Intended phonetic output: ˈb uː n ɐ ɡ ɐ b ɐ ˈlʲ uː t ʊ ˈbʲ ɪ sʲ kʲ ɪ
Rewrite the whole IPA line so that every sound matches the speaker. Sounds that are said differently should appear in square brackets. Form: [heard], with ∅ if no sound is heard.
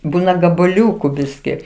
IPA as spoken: ˈb uː n ɐ ɡ ɐ b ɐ ˈlʲ uː [k] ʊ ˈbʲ ɪ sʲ kʲ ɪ